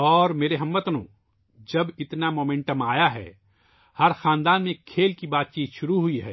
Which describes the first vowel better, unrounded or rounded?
rounded